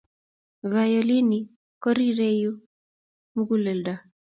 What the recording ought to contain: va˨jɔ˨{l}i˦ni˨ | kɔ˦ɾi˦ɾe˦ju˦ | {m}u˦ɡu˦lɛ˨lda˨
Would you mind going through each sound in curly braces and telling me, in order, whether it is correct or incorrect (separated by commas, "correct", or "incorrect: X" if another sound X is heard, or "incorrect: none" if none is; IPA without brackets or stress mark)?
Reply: correct, correct